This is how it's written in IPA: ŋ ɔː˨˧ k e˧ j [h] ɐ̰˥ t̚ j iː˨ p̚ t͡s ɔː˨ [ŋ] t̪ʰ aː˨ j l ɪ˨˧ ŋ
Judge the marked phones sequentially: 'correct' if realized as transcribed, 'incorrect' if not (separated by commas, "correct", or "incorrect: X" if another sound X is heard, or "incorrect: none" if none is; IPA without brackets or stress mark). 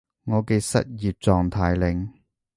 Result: incorrect: s, correct